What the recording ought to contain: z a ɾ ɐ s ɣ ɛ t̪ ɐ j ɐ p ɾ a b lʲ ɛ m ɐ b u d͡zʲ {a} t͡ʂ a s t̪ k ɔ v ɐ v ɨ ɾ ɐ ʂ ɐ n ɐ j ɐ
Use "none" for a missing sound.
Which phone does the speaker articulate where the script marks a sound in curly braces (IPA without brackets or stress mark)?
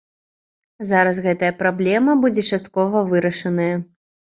ɛ